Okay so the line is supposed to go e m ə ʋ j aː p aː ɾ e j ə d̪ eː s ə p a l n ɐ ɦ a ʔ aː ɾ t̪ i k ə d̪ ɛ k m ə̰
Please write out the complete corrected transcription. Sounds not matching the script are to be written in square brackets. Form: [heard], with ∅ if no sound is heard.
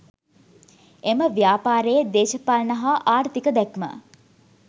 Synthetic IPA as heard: e m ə ʋ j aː p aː ɾ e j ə d̪ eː [ʃ] ə p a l n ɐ ɦ a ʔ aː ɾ t̪ i k ə d̪ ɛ k m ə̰